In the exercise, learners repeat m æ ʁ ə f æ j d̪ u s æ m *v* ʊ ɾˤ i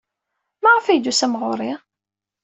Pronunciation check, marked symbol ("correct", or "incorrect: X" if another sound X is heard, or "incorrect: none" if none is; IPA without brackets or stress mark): incorrect: ʁ